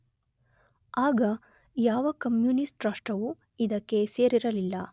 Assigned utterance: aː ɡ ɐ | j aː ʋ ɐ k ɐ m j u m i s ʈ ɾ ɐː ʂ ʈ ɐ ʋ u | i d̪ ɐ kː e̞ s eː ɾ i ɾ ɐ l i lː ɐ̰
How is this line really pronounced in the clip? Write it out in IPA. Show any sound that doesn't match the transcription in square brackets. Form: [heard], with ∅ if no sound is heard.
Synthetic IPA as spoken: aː ɡ ɐ | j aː ʋ ɐ k ɐ m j u [n] i s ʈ ɾ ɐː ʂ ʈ ɐ ʋ u | i d̪ ɐ kː e̞ s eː ɾ i ɾ ɐ l i lː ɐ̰